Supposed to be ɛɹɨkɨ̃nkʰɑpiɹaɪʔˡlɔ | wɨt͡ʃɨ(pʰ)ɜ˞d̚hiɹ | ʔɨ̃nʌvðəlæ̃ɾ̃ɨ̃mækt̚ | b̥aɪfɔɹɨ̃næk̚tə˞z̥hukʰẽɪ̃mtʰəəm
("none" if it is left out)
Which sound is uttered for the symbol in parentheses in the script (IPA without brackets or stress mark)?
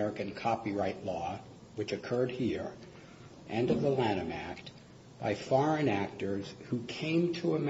kʰ